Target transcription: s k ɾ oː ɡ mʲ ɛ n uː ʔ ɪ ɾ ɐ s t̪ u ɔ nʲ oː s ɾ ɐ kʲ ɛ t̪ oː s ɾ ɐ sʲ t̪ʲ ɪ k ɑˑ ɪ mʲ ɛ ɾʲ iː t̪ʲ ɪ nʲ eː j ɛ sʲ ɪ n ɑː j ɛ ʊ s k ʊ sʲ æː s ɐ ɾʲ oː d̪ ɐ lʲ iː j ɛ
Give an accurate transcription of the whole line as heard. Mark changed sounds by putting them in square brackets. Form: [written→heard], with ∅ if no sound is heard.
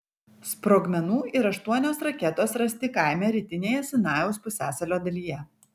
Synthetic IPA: s [k→p] ɾ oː ɡ mʲ ɛ n uː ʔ ɪ ɾ ɐ [s→ʃ] t̪ u ɔ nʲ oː s ɾ ɐ kʲ ɛ t̪ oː s ɾ ɐ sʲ t̪ʲ ɪ k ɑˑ ɪ mʲ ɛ ɾʲ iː t̪ʲ ɪ nʲ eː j ɛ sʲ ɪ n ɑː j ɛ ʊ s [k→p] ʊ sʲ æː s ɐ [ɾʲ→lʲ] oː d̪ ɐ lʲ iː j ɛ